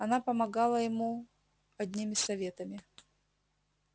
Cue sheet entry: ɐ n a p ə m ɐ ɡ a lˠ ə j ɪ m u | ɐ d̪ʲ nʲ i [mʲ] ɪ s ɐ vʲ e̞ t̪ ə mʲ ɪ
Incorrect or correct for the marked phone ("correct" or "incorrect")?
correct